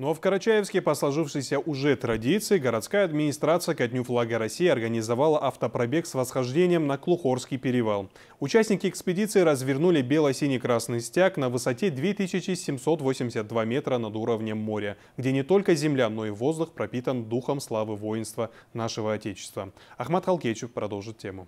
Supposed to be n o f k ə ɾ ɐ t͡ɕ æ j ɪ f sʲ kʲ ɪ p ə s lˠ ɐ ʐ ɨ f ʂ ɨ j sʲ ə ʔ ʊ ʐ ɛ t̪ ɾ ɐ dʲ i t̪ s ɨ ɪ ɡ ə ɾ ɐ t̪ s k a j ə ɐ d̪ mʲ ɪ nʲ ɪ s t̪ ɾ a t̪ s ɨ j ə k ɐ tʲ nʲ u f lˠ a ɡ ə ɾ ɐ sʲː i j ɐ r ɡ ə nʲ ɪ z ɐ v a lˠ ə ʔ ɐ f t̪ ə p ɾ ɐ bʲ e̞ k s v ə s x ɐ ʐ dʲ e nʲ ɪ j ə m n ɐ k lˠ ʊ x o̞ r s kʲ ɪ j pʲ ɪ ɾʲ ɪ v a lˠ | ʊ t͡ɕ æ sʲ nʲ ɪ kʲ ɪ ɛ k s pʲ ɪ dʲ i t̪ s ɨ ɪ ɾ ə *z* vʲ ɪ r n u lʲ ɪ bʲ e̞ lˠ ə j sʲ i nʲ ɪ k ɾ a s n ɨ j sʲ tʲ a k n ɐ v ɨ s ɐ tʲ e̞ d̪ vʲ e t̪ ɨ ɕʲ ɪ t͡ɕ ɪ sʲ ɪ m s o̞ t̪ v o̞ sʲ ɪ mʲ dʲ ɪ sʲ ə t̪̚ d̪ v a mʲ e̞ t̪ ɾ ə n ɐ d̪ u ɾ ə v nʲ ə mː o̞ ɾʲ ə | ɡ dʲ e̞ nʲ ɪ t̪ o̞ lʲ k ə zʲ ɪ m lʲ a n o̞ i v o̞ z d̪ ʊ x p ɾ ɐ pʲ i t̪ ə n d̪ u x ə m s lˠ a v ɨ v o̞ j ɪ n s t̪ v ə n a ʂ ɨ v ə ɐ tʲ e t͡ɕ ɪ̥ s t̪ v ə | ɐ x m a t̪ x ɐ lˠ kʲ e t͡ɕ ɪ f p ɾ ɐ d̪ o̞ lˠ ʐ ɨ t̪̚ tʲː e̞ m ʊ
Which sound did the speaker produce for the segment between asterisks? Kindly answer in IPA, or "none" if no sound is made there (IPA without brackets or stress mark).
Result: z